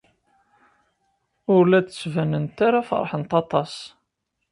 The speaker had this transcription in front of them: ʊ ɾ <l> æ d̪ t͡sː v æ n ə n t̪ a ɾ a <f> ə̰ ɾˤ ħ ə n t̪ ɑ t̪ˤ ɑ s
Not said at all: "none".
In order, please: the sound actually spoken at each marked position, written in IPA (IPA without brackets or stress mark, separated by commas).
l, f